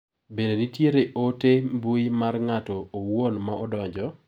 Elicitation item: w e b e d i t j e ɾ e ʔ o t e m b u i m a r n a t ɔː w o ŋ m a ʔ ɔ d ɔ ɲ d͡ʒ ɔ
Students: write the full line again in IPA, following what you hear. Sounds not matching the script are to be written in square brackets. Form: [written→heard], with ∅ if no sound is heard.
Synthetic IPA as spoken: [w→b] e [b→d] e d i t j e ɾ e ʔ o t e m b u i m a r [n→ŋ] a t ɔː w o [ŋ→n] m a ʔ ɔ d ɔ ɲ d͡ʒ ɔ